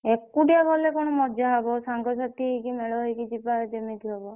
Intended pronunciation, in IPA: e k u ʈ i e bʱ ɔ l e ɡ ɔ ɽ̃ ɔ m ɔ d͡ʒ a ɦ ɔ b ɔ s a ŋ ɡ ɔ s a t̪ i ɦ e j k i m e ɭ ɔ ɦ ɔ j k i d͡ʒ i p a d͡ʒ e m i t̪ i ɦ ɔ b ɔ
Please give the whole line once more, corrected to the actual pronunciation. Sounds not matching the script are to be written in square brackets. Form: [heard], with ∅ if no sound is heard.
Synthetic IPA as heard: e k u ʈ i [a] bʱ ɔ l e [k] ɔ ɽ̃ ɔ m ɔ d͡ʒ a ɦ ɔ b ɔ s a ŋ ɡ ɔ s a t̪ i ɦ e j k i m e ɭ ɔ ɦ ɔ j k i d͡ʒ i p a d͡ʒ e m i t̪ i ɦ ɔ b ɔ